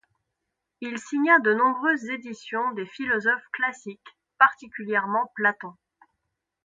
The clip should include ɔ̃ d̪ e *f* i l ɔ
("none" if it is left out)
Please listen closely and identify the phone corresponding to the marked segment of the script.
f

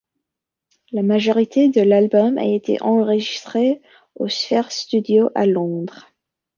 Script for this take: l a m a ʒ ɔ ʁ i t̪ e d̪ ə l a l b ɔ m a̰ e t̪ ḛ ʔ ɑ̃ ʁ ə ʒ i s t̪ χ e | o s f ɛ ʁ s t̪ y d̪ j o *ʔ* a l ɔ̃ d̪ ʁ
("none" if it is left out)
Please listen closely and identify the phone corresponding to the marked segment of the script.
ʔ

